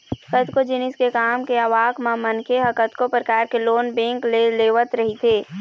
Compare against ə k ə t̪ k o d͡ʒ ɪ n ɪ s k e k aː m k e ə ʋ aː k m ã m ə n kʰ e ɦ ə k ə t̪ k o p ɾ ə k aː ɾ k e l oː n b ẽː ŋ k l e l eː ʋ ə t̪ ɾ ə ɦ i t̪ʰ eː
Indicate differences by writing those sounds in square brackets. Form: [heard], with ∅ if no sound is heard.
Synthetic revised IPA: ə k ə t̪ k o d͡ʒ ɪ n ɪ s k e k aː m k e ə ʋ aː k m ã m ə n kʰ e ɦ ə k ə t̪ k o p ɾ ə k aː ɾ k e l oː n b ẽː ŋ k l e l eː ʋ ə t̪ ɾ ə ɦ i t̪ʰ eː